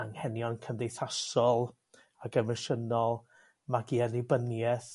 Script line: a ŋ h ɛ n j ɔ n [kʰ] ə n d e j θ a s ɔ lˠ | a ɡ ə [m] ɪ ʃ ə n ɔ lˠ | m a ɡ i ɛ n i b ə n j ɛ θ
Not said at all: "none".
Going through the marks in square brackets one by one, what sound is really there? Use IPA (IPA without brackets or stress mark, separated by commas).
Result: kʰ, m